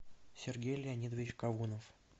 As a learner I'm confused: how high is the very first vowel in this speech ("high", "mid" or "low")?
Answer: high